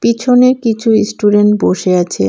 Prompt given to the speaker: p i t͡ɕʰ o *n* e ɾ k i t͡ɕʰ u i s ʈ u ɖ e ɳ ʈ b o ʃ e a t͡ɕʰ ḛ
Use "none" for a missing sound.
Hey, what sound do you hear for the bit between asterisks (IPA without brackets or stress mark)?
n